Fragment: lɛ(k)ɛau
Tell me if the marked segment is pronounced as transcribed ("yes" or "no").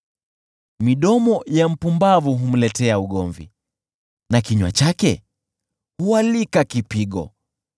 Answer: no